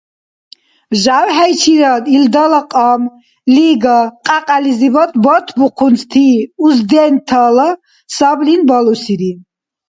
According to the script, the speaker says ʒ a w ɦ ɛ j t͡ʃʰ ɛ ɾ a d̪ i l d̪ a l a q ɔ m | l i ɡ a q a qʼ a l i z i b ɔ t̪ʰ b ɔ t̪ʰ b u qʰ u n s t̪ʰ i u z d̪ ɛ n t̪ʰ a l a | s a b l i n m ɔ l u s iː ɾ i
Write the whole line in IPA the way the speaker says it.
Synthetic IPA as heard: ʒ a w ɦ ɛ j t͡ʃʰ i ɾ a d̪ i l d̪ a l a qʼ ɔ m | l i ɡ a qʼ a qʼ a l i z i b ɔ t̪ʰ b ɔ t̪ʰ b u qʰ u n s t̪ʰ i u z d̪ ɛ n t̪ʰ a l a | s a b l i n b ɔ l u s i ɾ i